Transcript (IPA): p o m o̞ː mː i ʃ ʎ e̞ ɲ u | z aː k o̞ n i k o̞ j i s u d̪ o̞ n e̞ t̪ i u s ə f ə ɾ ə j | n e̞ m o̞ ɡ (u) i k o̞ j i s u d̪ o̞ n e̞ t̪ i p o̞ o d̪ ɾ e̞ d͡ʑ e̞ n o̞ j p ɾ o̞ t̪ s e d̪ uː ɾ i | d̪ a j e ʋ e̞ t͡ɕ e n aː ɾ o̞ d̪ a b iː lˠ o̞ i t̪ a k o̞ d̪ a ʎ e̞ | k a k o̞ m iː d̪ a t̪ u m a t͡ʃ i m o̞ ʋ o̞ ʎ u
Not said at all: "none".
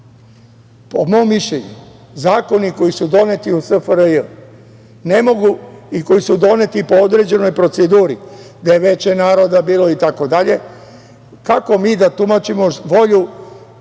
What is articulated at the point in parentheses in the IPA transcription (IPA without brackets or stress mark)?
u